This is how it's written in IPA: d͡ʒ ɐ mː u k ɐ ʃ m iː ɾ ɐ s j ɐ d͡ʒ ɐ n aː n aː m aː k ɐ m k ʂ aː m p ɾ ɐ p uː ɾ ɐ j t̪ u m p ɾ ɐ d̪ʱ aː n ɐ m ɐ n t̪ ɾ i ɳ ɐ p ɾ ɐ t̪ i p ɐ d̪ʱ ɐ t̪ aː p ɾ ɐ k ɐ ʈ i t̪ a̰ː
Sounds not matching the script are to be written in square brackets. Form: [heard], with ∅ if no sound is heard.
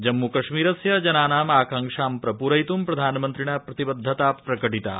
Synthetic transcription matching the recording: d͡ʒ ɐ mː u k ɐ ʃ m iː ɾ ɐ s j ɐ d͡ʒ ɐ n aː n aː m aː k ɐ [ŋ] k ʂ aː m p ɾ ɐ p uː ɾ ɐ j t̪ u m p ɾ ɐ d̪ʱ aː n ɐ m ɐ n t̪ ɾ i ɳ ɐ p ɾ ɐ t̪ i [b] ɐ [d̪ʱː] ɐ t̪ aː p ɾ ɐ k ɐ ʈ i t̪ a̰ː